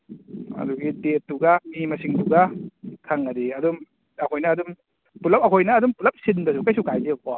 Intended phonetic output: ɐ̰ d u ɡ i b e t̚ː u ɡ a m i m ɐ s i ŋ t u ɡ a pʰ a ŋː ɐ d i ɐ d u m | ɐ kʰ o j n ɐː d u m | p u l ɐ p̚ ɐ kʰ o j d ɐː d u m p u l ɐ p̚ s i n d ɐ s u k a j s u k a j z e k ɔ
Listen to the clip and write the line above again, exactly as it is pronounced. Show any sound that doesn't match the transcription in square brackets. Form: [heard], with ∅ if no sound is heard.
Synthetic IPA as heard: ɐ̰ d u ɡ i [d] e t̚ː u ɡ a m i m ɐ s i ŋ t u ɡ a [kʰ] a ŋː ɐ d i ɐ d u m | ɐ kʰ o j n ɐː d u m | p u l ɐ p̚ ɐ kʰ o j [n] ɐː d u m p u l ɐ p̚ s i n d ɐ s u k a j s u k a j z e k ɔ